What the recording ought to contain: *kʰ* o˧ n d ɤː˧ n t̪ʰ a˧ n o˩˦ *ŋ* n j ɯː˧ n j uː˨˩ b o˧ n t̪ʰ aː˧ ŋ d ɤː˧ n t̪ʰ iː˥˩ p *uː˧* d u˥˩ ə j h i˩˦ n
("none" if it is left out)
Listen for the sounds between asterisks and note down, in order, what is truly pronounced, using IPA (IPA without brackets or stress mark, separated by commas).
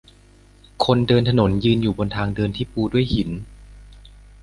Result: kʰ, none, uː˧